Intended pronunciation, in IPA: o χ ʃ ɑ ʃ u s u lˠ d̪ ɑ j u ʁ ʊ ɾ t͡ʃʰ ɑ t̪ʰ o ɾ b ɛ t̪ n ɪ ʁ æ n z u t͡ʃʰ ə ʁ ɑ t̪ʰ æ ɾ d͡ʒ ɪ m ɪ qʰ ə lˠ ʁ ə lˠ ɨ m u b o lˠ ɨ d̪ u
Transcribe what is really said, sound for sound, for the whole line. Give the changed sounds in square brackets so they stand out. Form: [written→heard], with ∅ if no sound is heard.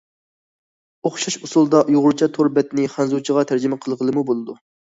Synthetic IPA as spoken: o χ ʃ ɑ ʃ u s u lˠ d̪ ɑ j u ʁ ʊ ɾ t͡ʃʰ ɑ t̪ʰ o ɾ b ɛ t̪ n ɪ [ʁ→χ] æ n z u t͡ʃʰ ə ʁ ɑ t̪ʰ æ ɾ d͡ʒ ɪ m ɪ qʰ ə lˠ ʁ ə lˠ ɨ m u b o lˠ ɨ d̪ u